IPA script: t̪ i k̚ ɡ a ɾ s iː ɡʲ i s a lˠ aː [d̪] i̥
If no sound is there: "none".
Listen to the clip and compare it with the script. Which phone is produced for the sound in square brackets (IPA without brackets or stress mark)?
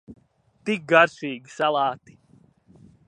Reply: t̪